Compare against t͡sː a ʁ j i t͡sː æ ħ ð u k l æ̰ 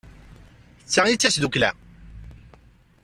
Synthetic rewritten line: t͡sː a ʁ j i t͡sː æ s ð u k l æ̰